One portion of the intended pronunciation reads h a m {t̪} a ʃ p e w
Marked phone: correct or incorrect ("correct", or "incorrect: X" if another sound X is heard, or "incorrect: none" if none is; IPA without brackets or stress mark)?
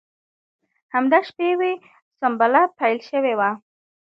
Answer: incorrect: d̪